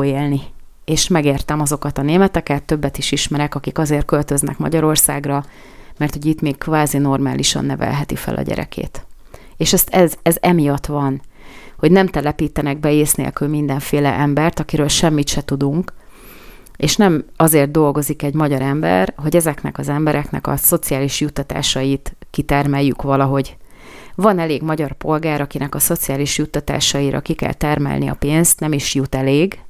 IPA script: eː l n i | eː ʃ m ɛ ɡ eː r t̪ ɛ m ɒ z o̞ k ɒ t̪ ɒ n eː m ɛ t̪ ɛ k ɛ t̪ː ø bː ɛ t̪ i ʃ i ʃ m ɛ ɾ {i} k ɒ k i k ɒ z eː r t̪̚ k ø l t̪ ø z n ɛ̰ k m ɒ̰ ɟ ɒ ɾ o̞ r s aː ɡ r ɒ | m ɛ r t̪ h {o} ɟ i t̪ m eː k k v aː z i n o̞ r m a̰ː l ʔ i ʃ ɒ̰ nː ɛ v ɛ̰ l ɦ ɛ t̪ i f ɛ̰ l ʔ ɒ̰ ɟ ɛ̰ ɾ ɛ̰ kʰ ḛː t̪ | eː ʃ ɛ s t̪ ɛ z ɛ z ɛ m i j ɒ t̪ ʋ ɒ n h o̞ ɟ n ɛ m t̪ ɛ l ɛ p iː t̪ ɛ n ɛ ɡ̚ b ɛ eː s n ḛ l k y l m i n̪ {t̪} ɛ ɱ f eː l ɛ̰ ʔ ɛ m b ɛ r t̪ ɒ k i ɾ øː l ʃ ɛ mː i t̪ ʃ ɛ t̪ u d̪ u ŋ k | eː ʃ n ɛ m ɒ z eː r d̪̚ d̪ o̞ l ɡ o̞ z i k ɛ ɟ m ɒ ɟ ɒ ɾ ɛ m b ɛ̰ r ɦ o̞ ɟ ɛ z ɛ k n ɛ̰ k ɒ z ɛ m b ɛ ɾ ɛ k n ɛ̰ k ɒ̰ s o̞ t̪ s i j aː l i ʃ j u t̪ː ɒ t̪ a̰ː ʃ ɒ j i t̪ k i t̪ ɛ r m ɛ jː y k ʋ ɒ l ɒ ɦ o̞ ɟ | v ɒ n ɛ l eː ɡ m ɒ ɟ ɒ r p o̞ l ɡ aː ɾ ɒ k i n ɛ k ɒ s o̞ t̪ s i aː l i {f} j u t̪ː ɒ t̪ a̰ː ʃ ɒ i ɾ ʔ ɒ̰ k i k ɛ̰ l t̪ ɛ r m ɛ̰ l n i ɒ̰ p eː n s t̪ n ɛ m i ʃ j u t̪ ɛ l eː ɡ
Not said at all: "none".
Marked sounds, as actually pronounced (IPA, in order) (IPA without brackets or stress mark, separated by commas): ɛ, o, d̪, ʃ